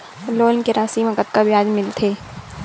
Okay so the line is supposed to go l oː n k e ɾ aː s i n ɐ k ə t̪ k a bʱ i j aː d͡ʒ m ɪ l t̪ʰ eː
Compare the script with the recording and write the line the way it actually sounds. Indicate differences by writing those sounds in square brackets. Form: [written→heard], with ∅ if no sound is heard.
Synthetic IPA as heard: l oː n k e ɾ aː s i [n→m] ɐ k ə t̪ k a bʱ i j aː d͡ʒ m ɪ l t̪ʰ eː